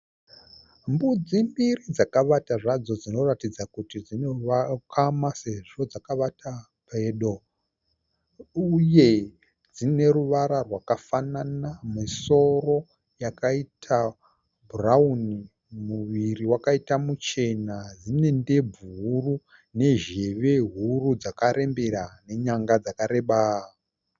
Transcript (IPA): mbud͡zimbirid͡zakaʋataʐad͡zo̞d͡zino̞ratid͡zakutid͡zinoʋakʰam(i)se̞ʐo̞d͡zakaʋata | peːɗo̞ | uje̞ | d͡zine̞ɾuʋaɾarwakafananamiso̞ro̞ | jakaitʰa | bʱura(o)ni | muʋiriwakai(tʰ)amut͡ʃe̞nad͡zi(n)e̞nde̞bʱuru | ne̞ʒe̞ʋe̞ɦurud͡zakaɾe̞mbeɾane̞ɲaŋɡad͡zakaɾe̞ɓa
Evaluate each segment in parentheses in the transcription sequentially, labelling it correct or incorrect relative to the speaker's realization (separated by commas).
incorrect, incorrect, incorrect, correct